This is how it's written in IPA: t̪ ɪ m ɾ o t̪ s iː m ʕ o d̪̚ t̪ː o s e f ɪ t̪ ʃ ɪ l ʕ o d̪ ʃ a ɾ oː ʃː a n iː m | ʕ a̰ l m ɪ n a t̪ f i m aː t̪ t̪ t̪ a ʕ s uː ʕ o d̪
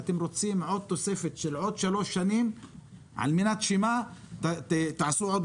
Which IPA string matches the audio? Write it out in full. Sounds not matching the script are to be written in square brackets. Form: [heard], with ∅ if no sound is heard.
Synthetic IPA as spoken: t̪ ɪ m ɾ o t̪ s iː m ʕ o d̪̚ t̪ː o s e f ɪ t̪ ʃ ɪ l ʕ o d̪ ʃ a [l] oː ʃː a n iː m | ʕ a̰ l m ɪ n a t̪ [ʃ] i m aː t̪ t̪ t̪ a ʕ s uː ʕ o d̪